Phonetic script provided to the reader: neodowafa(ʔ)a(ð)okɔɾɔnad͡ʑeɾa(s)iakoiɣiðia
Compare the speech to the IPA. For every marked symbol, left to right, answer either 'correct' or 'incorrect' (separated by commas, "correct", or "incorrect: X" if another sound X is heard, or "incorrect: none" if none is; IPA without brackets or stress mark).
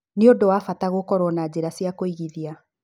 incorrect: t, incorrect: ɣ, correct